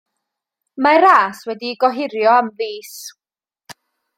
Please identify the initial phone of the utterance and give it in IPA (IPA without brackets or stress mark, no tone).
m